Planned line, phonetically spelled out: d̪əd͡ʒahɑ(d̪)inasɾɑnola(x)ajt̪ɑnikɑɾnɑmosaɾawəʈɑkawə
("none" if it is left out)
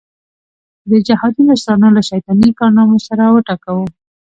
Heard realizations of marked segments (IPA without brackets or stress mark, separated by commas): d̪, ʃ